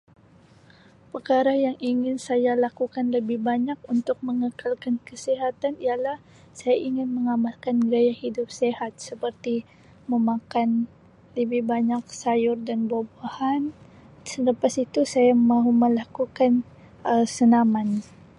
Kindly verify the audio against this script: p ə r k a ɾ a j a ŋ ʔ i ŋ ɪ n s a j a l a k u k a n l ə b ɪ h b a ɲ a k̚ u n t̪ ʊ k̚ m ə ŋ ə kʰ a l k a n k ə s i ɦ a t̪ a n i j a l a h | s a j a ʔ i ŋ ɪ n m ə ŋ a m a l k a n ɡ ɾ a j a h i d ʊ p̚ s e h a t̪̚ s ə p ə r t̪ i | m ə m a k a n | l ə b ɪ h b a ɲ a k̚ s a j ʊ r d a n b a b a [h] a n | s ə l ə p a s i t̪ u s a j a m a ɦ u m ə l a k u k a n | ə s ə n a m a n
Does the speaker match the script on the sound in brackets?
yes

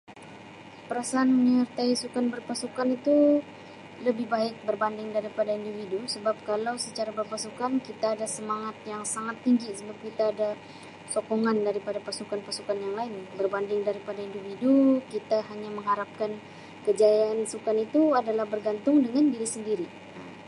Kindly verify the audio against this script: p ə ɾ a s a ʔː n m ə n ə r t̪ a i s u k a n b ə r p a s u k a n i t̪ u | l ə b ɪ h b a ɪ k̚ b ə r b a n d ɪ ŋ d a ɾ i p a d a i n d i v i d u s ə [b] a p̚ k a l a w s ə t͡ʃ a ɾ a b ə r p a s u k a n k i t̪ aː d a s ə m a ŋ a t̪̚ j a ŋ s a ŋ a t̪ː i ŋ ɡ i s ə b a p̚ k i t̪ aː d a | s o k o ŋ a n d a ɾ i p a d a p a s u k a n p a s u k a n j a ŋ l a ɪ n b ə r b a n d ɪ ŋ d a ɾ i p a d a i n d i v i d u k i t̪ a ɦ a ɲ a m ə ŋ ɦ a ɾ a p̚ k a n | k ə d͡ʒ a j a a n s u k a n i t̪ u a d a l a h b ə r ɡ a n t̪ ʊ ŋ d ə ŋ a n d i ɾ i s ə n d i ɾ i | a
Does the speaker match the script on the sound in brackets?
yes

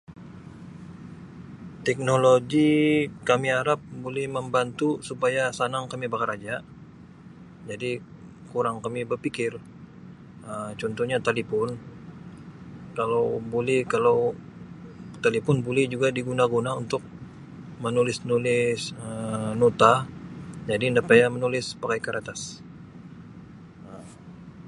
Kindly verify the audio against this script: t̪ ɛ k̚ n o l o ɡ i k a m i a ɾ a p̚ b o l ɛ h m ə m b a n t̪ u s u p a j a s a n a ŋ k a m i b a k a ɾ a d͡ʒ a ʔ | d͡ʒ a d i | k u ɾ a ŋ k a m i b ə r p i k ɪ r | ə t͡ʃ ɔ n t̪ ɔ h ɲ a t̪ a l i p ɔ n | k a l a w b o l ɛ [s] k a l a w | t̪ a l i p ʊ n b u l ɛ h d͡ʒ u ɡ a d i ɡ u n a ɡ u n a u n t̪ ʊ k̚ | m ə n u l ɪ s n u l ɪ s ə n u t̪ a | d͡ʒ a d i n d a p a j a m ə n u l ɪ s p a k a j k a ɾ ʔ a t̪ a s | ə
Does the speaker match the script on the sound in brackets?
no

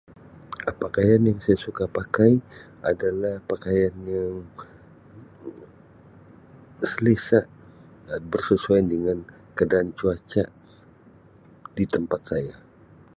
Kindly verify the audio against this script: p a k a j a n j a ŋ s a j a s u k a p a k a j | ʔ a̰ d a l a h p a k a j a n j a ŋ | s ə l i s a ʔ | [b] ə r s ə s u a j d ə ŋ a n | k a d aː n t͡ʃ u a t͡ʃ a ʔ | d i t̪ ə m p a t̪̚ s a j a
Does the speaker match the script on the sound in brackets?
yes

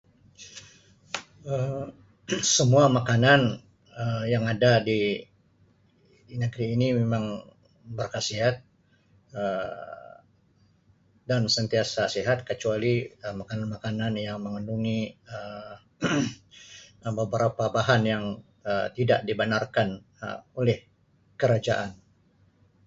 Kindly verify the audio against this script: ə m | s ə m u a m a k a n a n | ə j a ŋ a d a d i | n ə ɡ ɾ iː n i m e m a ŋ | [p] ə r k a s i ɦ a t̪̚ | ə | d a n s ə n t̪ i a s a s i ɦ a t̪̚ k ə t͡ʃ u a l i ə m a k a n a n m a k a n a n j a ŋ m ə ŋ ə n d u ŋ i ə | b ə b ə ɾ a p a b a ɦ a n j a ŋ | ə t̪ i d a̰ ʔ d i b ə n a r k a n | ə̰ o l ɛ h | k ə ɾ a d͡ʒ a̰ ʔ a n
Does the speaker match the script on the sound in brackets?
no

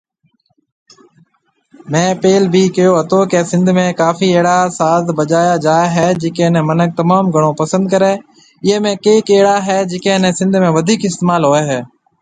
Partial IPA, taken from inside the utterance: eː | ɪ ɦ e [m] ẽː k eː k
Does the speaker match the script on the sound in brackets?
yes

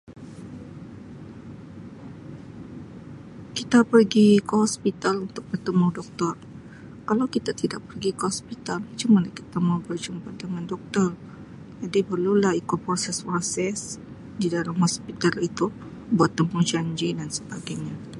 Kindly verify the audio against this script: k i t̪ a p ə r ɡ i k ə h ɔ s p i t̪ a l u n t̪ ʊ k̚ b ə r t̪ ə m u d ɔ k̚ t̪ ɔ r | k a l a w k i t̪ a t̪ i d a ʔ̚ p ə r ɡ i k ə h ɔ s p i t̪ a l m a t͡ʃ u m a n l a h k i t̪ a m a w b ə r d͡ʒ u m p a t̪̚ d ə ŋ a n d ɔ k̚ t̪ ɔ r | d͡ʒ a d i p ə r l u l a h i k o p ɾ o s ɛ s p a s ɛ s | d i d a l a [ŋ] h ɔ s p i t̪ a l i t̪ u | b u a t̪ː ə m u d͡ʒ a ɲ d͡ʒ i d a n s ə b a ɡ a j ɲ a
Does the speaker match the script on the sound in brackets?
no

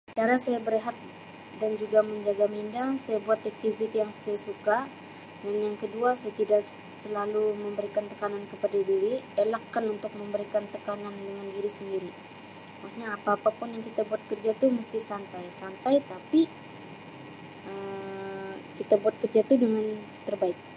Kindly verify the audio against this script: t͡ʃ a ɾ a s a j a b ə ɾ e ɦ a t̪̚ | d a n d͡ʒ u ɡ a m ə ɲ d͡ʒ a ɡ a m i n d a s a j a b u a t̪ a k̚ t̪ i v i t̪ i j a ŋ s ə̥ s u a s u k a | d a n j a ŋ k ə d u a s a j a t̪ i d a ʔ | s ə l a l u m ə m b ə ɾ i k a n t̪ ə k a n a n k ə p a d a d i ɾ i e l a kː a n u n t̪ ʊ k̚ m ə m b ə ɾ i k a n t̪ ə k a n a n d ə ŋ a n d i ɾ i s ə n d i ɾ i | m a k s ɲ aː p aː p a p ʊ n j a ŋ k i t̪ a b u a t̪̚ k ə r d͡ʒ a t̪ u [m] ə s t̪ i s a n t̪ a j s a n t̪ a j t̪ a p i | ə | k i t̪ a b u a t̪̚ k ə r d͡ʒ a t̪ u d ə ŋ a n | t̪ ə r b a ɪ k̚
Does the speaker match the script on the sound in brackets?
yes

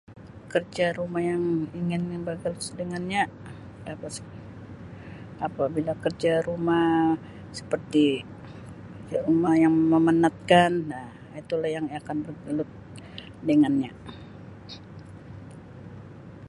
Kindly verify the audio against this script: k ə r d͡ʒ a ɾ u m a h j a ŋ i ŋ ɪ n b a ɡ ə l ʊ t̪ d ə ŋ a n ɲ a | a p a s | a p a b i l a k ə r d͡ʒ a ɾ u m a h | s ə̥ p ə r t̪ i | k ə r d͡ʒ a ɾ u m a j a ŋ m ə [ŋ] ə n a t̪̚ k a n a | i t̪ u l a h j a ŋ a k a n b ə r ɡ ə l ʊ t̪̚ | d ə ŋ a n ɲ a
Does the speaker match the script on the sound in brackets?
no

